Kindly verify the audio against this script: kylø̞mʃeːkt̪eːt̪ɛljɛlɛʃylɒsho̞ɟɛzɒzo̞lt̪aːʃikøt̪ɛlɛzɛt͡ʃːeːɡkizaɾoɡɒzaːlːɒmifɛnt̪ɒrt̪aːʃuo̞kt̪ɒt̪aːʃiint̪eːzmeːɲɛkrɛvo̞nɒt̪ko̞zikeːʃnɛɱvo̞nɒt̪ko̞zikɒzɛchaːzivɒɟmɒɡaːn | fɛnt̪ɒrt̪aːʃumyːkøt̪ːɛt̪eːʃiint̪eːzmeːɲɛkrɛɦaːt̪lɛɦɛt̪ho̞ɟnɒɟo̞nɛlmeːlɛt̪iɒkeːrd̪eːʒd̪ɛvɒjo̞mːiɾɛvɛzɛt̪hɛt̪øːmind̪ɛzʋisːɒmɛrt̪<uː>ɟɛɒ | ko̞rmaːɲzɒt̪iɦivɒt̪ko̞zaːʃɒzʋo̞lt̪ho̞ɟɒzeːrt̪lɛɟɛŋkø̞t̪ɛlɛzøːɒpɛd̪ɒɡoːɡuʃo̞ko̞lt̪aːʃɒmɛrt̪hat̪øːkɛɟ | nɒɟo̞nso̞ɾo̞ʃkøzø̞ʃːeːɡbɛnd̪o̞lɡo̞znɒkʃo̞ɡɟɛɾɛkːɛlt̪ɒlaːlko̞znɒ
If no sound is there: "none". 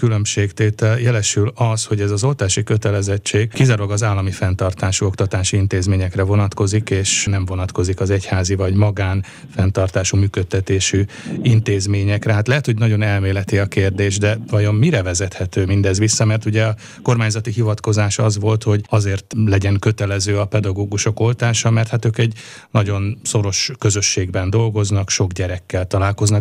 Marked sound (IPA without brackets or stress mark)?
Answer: u